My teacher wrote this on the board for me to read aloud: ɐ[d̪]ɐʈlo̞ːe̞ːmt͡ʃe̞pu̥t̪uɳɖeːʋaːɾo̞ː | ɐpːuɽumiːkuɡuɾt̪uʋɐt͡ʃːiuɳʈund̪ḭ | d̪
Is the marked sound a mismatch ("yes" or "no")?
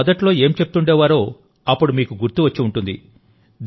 no